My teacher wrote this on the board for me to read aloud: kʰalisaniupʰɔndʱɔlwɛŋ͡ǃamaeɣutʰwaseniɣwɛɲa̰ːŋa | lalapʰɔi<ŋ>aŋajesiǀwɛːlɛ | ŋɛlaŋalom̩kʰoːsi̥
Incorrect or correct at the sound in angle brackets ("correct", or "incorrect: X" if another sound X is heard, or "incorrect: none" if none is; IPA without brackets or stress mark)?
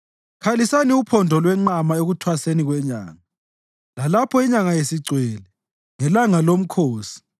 incorrect: ɲ